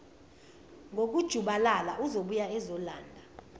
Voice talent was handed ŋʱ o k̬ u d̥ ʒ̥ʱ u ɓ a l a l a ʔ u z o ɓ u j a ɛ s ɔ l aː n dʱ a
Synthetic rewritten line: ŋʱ o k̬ u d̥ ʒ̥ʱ u ɓ a l a l a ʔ u z o ɓ u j a ɛ z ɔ l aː n dʱ a